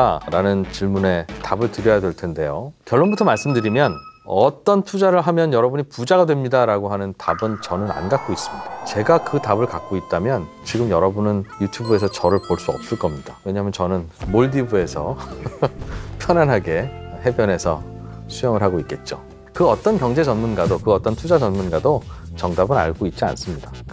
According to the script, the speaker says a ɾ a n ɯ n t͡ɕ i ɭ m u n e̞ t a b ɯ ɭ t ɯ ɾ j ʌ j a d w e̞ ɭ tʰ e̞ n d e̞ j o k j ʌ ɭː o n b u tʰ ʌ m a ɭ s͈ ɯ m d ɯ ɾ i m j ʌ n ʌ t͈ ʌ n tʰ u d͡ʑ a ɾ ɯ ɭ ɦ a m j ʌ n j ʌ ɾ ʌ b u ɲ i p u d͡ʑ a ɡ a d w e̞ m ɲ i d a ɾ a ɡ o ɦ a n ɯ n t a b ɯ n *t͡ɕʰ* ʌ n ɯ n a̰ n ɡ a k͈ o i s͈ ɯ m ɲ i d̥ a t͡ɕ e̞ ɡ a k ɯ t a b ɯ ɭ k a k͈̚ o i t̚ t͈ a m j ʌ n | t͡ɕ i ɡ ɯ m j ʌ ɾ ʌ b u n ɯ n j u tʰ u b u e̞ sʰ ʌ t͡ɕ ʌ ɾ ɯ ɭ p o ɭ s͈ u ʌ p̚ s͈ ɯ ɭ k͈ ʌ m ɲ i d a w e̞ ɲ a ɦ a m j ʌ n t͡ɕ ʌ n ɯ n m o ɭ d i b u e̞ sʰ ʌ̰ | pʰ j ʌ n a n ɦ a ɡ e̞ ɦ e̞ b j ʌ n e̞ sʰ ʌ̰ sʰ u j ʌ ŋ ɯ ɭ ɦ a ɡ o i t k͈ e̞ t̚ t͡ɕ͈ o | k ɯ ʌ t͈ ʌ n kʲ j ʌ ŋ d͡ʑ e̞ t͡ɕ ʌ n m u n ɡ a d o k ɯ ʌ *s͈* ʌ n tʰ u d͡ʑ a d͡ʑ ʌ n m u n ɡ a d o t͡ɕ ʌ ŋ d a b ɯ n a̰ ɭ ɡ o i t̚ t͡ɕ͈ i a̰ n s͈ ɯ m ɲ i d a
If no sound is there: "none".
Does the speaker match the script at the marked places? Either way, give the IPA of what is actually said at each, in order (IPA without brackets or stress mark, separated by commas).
t͡ɕ, t͈